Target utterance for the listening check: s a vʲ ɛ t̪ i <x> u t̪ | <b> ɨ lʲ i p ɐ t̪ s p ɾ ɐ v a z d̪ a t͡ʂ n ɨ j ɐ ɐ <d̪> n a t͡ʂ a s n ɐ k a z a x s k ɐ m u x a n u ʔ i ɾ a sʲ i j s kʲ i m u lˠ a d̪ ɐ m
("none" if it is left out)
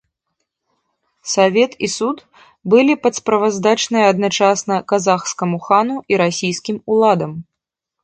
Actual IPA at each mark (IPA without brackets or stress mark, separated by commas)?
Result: s, b, d̪